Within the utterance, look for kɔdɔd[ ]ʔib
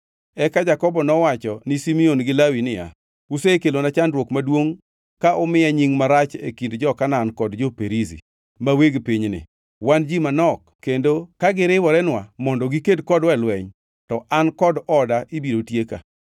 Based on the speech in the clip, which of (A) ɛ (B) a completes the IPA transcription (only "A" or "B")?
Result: B